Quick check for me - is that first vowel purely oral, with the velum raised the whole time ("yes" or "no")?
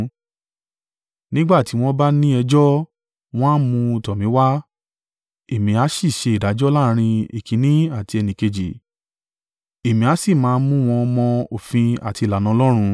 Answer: no